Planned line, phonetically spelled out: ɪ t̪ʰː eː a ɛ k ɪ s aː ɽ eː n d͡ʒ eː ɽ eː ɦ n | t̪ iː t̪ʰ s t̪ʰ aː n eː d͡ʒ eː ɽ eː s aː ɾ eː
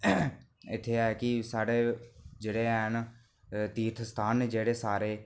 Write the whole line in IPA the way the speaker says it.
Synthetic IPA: ɪ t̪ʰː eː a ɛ k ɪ s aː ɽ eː d͡ʒ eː ɽ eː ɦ n | t̪ iː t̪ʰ s t̪ʰ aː n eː d͡ʒ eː ɽ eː s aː ɾ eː

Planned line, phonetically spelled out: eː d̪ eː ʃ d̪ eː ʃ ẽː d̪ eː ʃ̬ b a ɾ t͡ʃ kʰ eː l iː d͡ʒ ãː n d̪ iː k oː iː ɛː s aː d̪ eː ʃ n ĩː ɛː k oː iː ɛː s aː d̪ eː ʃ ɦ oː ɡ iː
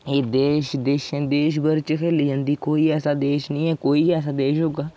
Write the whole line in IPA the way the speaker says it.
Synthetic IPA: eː d̪ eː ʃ d̪ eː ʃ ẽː d̪ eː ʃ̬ b ə ɾ t͡ʃ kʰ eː l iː d͡ʒ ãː n d̪ iː k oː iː ɛː s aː d̪ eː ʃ n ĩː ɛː k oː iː ɛː s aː d̪ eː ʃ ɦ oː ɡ aː

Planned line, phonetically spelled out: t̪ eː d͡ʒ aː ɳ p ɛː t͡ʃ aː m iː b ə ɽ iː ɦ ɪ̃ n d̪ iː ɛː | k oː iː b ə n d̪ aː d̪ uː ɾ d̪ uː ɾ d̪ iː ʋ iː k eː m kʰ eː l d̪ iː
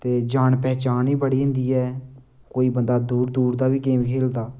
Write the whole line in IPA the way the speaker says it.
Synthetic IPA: t̪ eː d͡ʒ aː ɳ p ɛː t͡ʃ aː n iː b ə ɽ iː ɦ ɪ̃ n d̪ iː ɛː | k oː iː b ə n d̪ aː d̪ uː ɾ d̪ uː ɾ d̪ aː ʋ iː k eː m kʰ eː l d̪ aː

